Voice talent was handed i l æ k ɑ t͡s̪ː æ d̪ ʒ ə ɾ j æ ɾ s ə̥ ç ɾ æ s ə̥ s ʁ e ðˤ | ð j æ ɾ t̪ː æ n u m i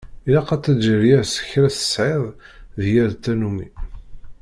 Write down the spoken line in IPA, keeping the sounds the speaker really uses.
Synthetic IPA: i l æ q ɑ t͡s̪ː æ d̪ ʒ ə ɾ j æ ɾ s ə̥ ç ɾ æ s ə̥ s ʕ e ðˤ | ð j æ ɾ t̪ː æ n u m i